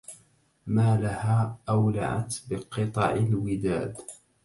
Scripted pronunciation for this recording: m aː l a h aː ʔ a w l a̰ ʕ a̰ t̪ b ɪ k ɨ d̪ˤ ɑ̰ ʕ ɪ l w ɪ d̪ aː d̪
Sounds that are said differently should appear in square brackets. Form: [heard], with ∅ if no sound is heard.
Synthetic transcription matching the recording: m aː l a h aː ʔ a w l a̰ ʕ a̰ t̪ b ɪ [q] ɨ [t̪ˤ] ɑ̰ ʕ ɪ l w ɪ d̪ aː d̪